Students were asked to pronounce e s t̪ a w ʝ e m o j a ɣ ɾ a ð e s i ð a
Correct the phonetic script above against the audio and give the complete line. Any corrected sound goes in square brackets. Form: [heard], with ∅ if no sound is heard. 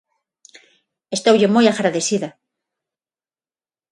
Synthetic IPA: e s t̪ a w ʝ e m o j a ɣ ɾ a ð e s i ð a